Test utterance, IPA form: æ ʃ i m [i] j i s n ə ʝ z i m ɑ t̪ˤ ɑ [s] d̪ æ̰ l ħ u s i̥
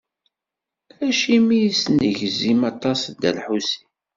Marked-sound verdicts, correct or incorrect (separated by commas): correct, correct